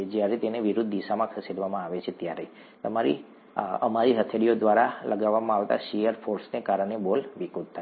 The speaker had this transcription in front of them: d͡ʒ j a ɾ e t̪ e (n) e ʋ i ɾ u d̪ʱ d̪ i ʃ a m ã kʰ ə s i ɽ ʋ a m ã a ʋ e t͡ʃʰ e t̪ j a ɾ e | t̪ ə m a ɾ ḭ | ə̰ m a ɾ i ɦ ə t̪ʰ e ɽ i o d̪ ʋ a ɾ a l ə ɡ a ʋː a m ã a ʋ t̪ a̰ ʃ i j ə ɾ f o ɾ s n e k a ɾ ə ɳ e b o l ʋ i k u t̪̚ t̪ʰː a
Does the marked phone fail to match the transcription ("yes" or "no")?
no